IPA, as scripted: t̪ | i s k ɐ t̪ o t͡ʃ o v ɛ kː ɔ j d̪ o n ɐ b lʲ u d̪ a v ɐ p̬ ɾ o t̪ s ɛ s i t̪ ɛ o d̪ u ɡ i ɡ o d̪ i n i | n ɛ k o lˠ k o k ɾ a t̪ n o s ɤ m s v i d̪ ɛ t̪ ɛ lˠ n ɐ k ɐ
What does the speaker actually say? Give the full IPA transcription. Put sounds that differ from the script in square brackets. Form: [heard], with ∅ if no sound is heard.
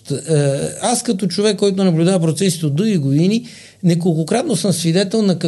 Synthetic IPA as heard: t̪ | [a] s k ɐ t̪ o t͡ʃ o v ɛ kː ɔ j [t̪] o n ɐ b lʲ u d̪ a v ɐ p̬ ɾ o t̪ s ɛ s i t̪ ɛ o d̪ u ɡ i ɡ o d̪ i n i | n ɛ k o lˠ k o k ɾ a t̪ n o s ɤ m s v i d̪ ɛ t̪ ɛ lˠ n ɐ k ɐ